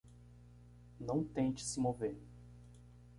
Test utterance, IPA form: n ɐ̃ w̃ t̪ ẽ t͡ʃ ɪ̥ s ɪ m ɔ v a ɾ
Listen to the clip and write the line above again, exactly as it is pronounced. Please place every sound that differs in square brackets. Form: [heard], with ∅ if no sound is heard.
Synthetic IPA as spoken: n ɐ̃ w̃ t̪ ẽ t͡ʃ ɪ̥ s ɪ m [o] v [e] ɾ